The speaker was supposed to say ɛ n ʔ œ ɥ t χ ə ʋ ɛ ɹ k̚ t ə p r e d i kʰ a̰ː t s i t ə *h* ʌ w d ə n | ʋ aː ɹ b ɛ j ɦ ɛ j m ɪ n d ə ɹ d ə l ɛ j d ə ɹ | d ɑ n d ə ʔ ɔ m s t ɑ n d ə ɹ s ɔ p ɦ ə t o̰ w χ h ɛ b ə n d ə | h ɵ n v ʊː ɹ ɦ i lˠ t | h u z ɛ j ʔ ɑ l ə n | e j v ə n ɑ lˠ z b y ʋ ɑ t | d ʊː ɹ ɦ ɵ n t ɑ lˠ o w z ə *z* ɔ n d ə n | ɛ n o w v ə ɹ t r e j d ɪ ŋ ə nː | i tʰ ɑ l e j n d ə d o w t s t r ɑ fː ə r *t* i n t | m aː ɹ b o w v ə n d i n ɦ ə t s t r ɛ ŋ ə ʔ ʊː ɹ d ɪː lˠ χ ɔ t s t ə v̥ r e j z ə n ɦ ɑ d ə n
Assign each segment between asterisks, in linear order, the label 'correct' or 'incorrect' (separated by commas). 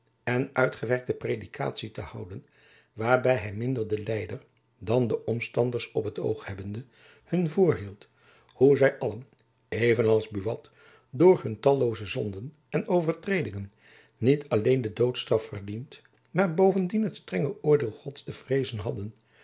correct, correct, incorrect